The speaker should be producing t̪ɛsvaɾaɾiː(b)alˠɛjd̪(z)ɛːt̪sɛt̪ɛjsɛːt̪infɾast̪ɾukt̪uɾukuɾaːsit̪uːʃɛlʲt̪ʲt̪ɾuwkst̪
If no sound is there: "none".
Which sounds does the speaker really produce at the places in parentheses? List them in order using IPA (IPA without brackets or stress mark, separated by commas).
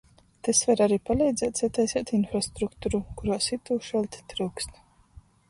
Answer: p, z